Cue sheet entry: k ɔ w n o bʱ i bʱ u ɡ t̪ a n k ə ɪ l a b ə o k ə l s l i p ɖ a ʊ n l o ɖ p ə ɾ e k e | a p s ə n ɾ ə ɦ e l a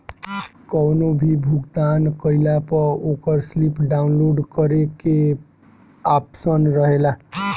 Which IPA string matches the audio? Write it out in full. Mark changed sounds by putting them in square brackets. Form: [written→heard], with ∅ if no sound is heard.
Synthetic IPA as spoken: k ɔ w n o bʱ i bʱ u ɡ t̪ a n k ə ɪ l a [b→p] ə o k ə [l→ɾ] s l i p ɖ a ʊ n l o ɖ [p→k] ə ɾ e k e | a p s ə n ɾ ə ɦ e l a